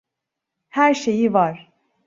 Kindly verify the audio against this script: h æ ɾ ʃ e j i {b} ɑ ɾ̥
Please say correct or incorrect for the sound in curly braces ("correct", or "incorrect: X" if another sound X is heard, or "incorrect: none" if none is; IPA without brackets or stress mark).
incorrect: v